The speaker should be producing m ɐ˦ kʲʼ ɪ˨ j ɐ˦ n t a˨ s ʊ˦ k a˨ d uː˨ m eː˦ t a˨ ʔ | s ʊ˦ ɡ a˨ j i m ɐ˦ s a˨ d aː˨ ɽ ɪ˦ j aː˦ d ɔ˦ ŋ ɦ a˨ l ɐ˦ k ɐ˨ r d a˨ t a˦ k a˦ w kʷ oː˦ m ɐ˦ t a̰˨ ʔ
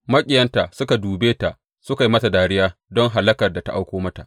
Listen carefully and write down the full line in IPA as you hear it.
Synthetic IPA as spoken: m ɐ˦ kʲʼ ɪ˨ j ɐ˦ n t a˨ s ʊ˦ k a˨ d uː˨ b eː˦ t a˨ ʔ | s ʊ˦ k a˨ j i m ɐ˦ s a˨ d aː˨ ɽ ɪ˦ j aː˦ d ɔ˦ ŋ ɦ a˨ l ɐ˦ k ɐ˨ r d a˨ t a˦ ʔ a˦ w kʷ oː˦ m ɐ˦ t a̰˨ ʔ